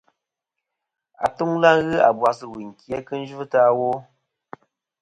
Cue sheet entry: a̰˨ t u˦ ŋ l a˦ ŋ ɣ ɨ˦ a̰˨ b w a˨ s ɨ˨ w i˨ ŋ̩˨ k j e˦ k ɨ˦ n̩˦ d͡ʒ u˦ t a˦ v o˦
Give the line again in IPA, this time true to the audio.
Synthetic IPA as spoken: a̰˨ t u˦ ŋ l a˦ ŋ ɣ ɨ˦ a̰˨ b w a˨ s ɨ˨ w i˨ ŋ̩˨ k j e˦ k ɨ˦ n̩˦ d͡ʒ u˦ t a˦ w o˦